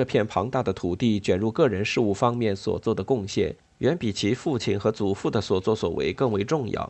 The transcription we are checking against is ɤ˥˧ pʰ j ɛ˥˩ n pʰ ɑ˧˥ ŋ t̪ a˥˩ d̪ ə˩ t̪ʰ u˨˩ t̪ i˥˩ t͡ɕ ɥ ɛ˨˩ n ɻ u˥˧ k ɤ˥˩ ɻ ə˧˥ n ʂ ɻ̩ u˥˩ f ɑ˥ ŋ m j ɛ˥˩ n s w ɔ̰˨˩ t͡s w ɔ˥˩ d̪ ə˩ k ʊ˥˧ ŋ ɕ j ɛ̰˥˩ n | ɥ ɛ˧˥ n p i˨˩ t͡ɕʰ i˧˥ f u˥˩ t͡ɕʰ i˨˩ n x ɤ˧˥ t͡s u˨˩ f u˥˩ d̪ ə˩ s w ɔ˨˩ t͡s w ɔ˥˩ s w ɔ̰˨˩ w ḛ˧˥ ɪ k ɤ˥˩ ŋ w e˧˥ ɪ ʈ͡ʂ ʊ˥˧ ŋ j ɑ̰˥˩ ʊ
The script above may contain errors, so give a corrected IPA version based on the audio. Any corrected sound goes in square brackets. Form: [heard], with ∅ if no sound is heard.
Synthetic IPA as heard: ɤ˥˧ pʰ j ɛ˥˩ n pʰ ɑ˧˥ ŋ t̪ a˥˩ d̪ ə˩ t̪ʰ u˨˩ t̪ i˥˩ t͡ɕ ɥ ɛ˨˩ n ɻ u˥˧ k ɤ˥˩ ɻ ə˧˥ n ʂ ɻ̩ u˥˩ f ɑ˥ ŋ m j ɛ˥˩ n s w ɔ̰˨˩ t͡s w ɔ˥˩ d̪ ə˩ k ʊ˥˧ ŋ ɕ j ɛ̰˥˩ n | ɥ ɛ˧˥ n p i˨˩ t͡ɕʰ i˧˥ f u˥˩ t͡ɕʰ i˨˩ n x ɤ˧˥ t͡s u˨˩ f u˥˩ d̪ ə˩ s w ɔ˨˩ t͡s w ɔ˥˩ s w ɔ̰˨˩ w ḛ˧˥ ɪ k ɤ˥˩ ŋ w e˧˥ ɪ ʈ͡ʂ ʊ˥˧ ŋ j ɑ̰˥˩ ʊ